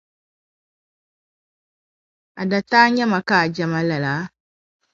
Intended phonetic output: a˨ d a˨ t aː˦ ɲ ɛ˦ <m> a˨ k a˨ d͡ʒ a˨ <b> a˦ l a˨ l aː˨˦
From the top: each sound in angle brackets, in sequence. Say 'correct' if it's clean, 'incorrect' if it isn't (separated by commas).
correct, incorrect